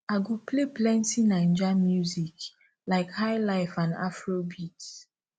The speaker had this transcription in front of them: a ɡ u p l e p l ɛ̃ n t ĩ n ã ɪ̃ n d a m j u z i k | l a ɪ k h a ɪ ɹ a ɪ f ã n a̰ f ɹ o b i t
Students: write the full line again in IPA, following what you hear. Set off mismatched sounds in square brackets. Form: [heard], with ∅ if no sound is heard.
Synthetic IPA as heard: a ɡ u p l e p l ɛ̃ n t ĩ n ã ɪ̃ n [d͡ʒ] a m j u z i k | l a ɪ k h a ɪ [l] a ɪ f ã n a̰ f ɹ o b i t